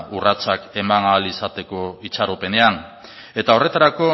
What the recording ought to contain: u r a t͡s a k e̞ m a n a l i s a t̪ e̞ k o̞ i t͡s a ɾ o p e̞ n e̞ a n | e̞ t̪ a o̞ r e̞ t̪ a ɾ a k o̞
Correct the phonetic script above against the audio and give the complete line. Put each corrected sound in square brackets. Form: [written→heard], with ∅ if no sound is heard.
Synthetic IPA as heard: u r a t͡s a k e̞ m a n a l i s a t̪ e̞ k o̞ i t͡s a ɾ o p e̞ n e̞ a n | e̞ t̪ a o̞ r e̞ t̪ a ɾ a k o̞